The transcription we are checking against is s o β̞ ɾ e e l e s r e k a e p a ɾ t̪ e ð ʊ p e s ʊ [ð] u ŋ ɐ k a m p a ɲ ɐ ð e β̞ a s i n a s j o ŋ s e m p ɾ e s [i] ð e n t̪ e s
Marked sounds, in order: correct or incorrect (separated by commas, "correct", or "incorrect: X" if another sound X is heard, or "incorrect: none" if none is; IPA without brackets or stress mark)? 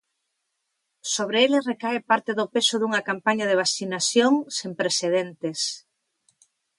correct, incorrect: e